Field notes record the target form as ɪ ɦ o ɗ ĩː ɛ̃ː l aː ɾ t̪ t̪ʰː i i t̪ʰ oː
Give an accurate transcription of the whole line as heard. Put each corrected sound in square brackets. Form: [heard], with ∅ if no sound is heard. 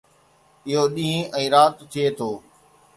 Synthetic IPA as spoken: ɪ ɦ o ɗ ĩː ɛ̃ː [ɾ] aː [∅] t̪ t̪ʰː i [e] t̪ʰ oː